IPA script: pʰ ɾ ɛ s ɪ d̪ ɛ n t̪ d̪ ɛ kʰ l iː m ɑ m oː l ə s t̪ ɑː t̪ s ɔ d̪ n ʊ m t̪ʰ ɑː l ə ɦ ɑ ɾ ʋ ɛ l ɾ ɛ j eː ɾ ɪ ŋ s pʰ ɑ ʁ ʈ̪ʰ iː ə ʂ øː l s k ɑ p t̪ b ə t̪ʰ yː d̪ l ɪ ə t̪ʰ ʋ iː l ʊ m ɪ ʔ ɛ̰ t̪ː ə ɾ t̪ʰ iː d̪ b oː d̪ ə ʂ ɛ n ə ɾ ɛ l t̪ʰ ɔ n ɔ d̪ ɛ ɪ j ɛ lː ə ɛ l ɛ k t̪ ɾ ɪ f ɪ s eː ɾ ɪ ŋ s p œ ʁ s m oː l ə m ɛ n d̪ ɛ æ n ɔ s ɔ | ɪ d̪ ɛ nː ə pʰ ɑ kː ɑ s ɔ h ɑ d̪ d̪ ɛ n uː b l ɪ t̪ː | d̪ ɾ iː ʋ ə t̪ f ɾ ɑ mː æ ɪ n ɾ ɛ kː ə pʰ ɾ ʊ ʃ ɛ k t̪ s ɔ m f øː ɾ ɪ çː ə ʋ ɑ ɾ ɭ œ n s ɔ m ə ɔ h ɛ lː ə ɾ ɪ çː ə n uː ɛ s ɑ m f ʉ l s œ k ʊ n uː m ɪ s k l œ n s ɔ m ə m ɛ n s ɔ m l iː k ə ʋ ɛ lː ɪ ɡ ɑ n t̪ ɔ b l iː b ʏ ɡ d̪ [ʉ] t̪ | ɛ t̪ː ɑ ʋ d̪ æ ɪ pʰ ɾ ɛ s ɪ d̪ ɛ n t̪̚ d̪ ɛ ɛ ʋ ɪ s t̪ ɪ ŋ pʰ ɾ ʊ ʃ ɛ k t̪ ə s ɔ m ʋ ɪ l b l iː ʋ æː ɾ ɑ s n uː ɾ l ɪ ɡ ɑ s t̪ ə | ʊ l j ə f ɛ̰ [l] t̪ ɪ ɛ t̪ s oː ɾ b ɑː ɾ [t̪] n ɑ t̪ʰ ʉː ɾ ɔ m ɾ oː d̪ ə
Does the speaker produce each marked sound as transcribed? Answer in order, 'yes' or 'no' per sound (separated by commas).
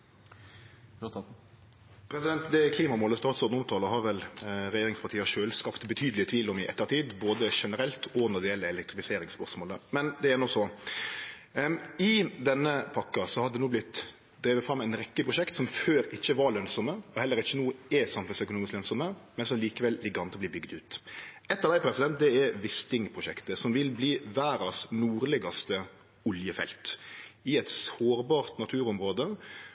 no, yes, yes